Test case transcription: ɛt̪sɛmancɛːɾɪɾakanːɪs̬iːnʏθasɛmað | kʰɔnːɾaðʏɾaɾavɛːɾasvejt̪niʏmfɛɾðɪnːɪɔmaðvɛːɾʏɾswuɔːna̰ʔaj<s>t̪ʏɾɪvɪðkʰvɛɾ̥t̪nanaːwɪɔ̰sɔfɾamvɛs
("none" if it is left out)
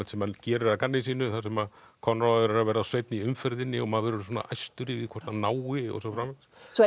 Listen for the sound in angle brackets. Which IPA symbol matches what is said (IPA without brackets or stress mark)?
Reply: s